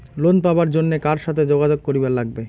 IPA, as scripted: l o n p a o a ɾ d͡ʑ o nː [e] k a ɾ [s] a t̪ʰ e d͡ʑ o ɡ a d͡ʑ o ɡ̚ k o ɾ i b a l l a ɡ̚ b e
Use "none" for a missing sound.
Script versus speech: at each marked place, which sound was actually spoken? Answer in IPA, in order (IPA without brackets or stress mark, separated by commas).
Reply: e, ʃ